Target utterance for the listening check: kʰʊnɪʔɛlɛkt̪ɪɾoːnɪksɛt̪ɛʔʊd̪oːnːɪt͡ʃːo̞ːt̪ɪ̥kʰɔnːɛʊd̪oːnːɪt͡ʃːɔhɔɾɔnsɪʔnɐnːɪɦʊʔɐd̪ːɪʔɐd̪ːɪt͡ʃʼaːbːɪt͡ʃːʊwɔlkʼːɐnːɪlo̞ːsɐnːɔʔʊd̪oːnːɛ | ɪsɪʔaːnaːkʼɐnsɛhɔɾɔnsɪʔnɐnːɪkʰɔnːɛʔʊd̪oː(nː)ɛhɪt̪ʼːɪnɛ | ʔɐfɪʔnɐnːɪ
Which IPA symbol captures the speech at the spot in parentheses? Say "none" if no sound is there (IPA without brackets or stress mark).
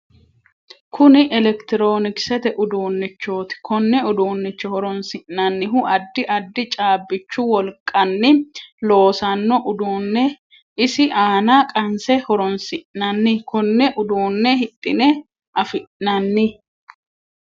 nː